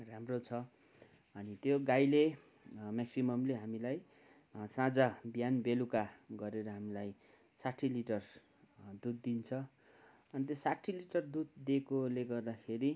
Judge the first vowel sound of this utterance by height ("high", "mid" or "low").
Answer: low